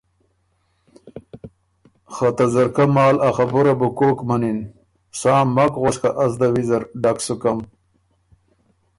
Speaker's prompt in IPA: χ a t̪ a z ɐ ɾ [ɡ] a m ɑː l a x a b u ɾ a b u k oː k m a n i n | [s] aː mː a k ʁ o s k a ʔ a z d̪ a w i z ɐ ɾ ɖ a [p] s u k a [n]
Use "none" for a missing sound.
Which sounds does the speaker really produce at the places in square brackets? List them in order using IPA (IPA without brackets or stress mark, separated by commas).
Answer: k, s, k, m